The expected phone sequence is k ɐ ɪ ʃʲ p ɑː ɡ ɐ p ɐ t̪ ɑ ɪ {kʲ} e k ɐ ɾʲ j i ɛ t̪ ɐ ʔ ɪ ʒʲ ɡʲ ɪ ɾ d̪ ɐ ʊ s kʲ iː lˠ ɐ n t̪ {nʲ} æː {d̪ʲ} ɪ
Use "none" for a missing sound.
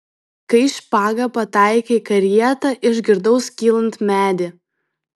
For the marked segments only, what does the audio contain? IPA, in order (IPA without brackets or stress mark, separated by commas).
kʲ, mʲ, d̪ʲ